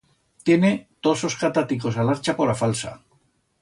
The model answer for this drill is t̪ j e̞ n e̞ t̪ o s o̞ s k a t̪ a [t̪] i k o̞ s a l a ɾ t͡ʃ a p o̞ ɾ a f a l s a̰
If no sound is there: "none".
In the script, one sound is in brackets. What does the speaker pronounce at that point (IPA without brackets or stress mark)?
t̪